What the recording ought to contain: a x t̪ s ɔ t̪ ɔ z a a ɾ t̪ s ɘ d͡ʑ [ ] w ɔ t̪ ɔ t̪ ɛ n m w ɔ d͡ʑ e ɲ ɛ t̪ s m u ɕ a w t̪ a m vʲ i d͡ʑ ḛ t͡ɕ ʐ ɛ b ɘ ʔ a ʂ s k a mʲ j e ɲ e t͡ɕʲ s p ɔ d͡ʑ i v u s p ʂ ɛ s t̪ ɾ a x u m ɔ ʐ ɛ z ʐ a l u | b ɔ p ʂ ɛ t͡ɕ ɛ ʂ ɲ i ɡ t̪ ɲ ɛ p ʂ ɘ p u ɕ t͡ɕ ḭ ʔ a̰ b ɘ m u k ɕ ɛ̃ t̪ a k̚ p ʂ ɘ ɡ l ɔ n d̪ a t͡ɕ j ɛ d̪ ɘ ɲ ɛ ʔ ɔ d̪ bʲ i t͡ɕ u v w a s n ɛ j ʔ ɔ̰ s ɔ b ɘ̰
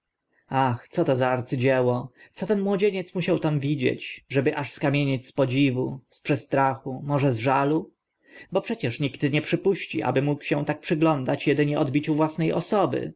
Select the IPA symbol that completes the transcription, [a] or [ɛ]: ɛ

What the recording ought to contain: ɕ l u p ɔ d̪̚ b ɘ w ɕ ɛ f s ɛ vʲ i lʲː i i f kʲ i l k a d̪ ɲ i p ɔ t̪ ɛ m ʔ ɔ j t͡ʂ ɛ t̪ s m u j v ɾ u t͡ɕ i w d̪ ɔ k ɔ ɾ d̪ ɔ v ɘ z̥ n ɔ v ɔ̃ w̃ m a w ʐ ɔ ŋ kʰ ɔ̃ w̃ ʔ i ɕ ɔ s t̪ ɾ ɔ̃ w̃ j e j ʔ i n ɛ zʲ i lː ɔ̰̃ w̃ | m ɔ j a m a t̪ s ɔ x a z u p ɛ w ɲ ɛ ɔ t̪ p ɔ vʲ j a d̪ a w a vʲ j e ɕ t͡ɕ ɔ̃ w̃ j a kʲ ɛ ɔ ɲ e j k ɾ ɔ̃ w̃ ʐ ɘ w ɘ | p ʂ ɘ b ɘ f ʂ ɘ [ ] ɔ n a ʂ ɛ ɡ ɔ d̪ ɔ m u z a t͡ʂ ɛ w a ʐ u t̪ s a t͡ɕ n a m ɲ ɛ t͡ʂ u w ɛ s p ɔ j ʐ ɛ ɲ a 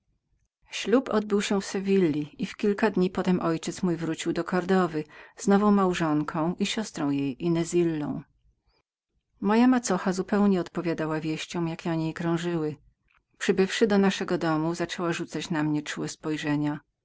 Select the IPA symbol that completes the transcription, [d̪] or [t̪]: d̪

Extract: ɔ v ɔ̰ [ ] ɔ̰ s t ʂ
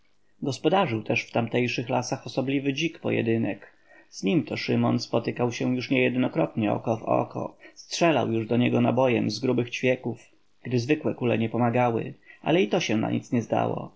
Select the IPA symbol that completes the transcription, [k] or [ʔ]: k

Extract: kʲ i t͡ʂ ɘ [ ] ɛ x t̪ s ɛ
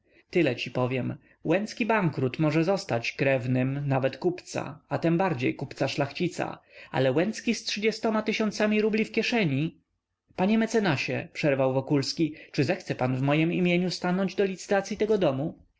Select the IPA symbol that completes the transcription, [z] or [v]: z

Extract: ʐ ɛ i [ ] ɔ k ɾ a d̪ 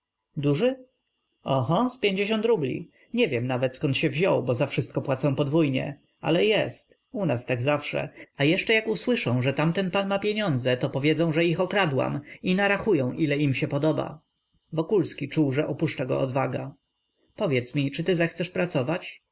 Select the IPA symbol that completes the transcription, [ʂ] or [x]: x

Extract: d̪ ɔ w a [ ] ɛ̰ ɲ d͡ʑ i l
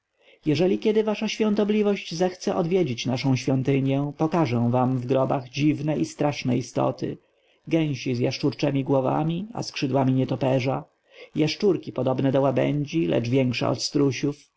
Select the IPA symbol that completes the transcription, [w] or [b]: b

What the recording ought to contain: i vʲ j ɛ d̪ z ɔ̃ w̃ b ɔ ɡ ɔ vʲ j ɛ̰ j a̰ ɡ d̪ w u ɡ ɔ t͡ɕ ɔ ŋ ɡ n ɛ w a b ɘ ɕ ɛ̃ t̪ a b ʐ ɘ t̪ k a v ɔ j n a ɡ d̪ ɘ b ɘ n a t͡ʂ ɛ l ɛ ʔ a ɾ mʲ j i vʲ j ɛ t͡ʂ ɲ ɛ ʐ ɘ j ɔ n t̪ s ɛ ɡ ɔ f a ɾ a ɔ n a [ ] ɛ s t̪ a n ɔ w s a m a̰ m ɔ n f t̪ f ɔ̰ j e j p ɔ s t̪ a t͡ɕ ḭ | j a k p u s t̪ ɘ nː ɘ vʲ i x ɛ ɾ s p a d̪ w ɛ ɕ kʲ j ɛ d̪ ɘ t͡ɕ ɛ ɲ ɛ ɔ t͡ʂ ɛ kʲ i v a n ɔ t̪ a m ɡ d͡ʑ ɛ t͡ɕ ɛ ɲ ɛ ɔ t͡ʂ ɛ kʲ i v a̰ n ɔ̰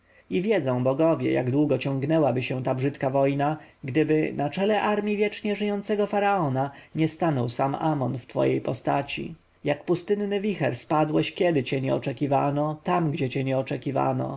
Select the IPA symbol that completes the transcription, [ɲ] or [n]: ɲ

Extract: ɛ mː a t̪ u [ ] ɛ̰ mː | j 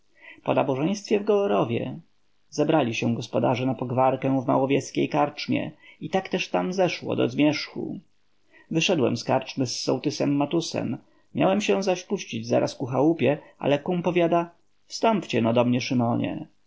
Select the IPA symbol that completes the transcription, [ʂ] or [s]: s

